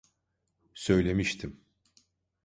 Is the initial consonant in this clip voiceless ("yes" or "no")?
yes